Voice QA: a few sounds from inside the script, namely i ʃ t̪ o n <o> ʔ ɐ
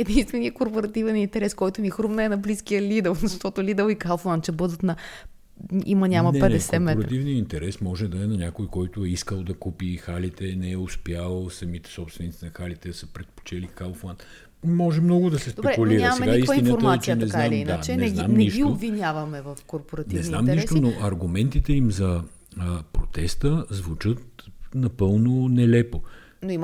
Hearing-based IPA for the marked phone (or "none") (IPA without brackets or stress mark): o